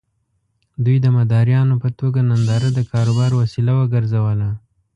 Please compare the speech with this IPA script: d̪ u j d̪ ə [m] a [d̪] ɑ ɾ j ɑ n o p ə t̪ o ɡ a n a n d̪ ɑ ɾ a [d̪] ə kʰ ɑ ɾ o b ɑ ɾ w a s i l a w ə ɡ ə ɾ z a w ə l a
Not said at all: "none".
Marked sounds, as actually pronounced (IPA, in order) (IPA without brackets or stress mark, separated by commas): m, d̪, d̪